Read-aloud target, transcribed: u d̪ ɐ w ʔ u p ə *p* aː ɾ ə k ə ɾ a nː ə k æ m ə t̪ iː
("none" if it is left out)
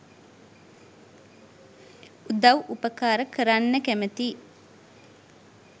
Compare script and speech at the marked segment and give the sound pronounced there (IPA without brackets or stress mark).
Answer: k